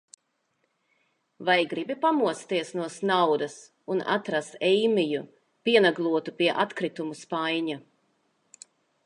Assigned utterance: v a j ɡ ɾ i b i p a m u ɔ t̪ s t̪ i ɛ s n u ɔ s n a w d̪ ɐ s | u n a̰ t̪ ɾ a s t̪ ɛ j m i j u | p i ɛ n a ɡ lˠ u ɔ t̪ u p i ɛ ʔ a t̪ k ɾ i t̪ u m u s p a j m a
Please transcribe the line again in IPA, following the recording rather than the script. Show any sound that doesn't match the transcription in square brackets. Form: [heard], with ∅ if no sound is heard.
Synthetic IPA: v a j ɡ ɾ i b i p a m u ɔ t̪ s t̪ i ɛ s n u ɔ s n a w d̪ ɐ s | u n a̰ t̪ ɾ a s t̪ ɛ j m i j u | p i ɛ n a ɡ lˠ u ɔ t̪ u p i ɛ ʔ a t̪ k ɾ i t̪ u m u s p a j [ɲ] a